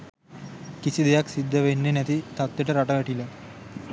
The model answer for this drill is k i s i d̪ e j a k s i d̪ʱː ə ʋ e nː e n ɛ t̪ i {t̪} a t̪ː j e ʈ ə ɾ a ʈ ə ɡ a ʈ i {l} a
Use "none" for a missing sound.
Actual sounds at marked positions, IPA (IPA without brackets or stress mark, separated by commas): t̪, l